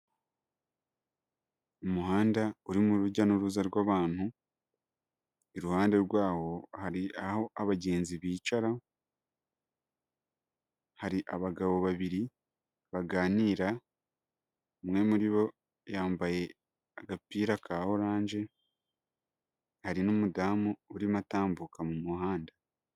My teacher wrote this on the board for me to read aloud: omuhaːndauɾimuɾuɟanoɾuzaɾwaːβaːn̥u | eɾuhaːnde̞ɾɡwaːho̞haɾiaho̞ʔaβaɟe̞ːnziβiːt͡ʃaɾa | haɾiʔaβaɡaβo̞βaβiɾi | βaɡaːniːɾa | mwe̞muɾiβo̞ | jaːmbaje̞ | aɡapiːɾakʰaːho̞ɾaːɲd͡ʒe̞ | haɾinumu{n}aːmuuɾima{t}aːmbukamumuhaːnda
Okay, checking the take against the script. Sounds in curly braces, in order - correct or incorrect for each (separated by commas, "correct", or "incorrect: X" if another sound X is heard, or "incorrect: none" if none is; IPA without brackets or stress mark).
incorrect: d, correct